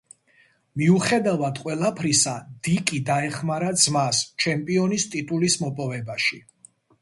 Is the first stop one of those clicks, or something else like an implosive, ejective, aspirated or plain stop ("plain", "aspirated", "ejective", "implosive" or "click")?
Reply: plain